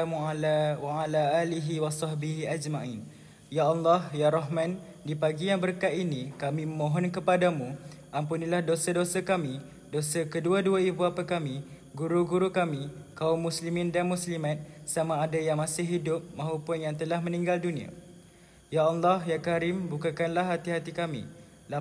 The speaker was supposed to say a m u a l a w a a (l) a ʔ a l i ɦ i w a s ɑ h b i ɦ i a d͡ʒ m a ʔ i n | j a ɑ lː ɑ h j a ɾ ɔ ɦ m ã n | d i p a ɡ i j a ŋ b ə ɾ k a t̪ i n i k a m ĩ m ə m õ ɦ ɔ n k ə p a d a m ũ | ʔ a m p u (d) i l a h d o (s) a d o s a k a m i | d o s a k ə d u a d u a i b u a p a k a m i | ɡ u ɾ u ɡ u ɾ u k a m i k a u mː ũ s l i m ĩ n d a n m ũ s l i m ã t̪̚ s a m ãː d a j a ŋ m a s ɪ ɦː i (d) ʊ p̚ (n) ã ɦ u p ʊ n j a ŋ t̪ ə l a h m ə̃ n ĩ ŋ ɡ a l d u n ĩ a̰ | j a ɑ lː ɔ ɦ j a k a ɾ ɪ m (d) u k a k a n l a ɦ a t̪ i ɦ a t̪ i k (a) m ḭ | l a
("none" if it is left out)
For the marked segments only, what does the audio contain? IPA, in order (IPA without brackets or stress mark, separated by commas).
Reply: l, n, s, d, m, b, a